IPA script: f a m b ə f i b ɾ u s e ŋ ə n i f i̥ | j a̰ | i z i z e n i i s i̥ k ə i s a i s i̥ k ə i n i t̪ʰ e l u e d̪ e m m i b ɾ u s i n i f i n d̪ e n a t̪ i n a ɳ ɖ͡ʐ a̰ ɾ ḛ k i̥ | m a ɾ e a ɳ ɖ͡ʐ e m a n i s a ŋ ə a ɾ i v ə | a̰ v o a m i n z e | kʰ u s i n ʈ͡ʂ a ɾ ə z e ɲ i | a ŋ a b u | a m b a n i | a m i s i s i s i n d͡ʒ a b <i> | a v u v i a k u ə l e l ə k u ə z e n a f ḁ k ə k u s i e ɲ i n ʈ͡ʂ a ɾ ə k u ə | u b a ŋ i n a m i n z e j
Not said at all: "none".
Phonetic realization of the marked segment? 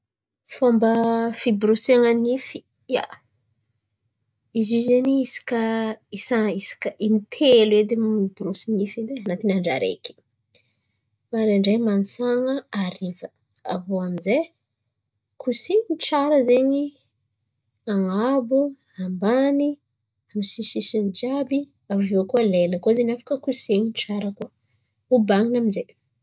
i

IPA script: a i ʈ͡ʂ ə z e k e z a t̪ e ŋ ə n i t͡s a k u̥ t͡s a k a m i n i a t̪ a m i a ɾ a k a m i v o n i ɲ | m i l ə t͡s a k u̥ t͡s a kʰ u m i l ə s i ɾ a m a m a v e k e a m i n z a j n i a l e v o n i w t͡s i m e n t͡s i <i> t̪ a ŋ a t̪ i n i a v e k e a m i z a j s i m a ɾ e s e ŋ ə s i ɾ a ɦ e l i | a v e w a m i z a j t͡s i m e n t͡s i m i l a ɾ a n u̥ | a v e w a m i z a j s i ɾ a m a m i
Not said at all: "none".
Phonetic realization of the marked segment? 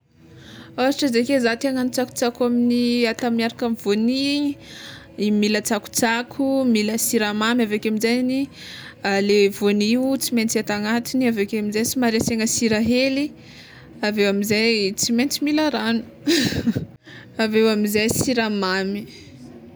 a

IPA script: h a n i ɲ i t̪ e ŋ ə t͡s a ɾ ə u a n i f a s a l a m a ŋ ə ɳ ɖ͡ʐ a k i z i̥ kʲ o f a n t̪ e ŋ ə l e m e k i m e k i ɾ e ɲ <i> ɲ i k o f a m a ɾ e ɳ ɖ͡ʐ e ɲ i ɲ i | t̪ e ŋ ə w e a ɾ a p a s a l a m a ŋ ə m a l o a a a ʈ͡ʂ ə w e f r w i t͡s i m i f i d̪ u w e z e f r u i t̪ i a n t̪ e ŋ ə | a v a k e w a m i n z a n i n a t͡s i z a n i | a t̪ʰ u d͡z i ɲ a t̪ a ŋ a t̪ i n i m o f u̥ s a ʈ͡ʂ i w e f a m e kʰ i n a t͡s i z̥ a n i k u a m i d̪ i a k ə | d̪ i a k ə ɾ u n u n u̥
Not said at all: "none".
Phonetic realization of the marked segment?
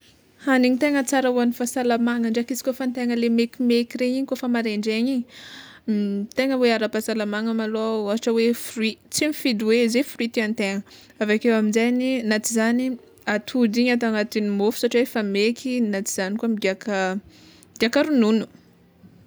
i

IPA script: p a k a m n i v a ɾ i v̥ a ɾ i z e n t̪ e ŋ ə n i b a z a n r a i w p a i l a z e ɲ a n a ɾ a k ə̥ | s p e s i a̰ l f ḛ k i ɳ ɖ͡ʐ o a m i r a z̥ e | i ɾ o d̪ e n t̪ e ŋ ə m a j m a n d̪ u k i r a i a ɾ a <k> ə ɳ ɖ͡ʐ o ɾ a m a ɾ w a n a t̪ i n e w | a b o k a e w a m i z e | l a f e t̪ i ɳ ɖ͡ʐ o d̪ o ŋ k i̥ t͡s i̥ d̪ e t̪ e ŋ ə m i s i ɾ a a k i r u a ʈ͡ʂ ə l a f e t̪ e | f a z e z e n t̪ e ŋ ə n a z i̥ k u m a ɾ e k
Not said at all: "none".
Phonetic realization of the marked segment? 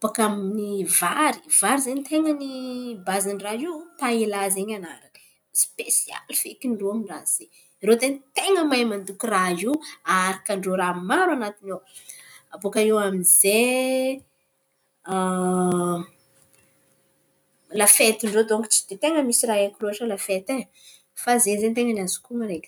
k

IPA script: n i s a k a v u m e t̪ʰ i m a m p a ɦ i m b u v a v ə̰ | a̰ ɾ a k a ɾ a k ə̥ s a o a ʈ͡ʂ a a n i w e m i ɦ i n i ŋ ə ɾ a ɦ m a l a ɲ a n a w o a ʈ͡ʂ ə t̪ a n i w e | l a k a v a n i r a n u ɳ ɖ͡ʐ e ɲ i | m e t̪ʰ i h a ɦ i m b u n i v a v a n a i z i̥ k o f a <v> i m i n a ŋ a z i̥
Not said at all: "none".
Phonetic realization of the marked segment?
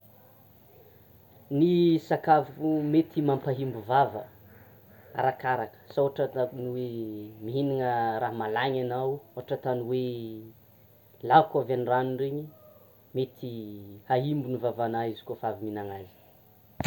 v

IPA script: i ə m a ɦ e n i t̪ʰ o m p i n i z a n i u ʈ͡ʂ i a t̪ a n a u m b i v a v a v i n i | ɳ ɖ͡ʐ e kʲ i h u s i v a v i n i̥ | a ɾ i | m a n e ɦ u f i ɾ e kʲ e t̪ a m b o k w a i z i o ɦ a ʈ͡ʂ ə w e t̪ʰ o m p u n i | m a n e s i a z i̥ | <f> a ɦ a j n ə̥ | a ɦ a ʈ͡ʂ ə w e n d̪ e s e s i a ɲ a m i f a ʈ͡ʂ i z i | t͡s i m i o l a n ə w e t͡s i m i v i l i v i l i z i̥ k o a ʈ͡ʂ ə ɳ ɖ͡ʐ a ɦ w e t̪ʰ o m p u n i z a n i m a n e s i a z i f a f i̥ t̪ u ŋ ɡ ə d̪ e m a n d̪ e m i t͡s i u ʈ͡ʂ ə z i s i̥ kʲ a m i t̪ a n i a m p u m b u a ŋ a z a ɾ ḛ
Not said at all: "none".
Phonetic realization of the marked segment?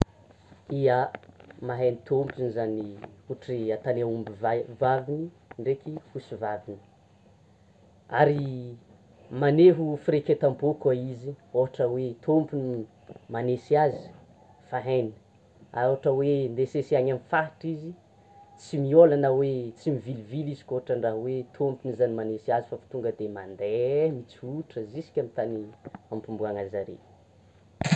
f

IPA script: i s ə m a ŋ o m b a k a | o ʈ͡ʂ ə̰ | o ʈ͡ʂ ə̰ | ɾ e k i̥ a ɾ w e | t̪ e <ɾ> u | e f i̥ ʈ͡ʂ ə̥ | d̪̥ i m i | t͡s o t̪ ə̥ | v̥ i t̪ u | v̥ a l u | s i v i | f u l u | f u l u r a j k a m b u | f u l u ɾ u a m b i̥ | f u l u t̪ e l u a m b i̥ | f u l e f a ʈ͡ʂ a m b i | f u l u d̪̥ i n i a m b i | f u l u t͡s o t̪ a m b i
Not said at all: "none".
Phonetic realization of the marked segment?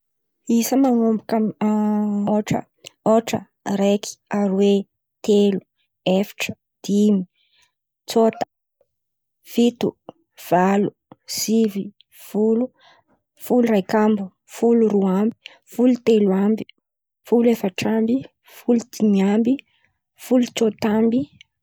l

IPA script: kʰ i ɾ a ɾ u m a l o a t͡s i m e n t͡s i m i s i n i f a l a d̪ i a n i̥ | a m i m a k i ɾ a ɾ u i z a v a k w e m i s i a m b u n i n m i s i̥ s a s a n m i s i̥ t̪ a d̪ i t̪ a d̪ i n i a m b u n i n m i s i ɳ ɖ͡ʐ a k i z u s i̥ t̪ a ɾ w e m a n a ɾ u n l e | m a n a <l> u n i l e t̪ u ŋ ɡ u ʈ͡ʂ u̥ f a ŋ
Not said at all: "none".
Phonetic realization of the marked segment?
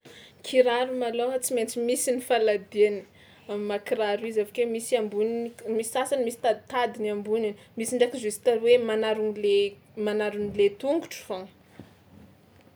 ɾ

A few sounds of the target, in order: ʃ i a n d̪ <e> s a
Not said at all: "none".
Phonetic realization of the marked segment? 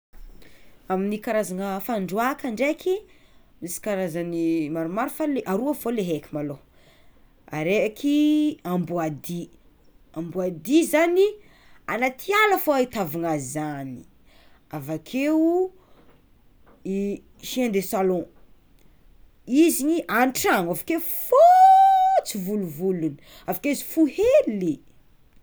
e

